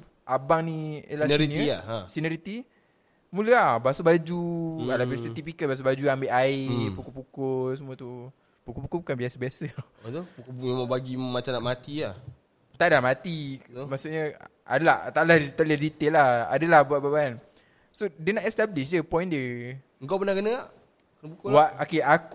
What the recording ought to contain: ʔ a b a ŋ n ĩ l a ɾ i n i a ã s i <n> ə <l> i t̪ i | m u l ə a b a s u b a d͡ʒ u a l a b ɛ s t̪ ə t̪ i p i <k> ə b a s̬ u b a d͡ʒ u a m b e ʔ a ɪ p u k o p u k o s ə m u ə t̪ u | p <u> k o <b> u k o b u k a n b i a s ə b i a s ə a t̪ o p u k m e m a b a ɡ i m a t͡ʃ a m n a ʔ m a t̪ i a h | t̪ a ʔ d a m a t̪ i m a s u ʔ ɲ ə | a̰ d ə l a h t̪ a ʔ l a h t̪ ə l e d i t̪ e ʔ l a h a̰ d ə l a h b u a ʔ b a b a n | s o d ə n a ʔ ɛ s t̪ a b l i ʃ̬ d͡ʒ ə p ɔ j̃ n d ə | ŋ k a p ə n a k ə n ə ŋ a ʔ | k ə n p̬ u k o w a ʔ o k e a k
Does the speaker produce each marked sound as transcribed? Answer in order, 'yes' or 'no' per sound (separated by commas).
yes, no, yes, yes, no